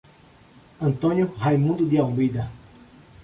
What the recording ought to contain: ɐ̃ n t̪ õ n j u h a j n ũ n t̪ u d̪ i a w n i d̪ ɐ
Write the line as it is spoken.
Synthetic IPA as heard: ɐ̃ n t̪ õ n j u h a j m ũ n d̪ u d̪ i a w m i d̪ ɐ